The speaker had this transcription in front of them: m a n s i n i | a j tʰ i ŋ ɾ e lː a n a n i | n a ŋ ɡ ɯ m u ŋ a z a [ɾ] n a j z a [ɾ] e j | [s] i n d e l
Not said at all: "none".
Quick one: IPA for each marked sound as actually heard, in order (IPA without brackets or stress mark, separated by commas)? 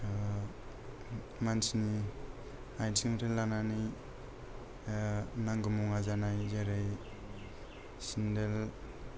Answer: none, ɾ, s